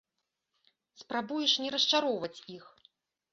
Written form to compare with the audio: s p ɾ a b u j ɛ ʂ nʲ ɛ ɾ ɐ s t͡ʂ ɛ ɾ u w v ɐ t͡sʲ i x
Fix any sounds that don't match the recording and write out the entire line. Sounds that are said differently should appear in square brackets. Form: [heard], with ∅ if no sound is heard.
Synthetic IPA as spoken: s p ɾ a b u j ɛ ʂ nʲ ɛ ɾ ɐ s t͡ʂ [a] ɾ [ɔ] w v ɐ t͡sʲ i x